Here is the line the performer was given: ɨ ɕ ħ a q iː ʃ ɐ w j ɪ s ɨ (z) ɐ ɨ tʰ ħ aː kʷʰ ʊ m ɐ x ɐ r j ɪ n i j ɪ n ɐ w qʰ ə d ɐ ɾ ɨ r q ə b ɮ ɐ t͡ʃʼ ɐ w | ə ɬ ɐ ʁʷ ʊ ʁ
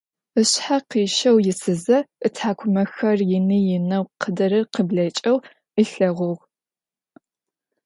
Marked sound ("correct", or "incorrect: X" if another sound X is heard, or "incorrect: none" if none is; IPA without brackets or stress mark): correct